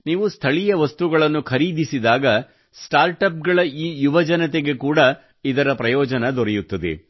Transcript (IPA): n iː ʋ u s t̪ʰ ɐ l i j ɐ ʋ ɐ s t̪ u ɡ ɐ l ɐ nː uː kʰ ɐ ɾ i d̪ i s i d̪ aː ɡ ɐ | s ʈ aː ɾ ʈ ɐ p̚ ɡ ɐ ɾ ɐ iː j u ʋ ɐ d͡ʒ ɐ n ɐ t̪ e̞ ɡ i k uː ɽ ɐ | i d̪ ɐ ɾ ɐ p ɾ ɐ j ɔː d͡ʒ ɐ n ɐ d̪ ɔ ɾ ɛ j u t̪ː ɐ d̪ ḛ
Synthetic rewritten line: n iː ʋ u s t̪ʰ ɐ ɭ i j ɐ ʋ ɐ s t̪ u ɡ ɐ ɭ ɐ nː u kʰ ɐ ɾ iː d̪ i s i d̪ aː ɡ ɐ | s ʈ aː ɾ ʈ ɐ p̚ ɡ ɐ ɭ ɐ iː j u ʋ ɐ d͡ʒ ɐ n ɐ t̪ e̞ ɡ e k uː ɽ ɐ | i d̪ ɐ ɾ ɐ p ɾ ɐ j ɔː d͡ʒ ɐ n ɐ d̪ ɔ ɾ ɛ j u t̪ː ɐ d̪ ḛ